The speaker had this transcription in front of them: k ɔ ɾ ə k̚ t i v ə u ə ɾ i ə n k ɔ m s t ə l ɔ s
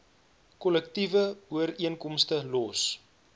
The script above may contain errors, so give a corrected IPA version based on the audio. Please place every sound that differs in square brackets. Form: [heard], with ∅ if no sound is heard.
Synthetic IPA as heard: k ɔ [l] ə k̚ t i v ə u ə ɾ i ə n k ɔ m s t ə l ɔ s